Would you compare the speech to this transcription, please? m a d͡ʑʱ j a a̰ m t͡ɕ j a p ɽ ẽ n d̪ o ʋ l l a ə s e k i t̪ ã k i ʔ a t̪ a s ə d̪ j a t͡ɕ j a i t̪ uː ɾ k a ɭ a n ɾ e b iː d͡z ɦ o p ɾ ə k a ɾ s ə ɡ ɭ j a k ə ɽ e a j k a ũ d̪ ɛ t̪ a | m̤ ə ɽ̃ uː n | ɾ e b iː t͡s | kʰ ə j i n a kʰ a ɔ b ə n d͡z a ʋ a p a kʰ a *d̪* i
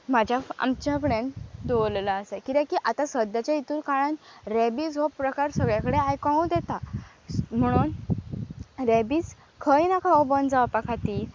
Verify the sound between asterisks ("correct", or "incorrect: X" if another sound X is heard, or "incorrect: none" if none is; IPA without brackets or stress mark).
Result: incorrect: t̪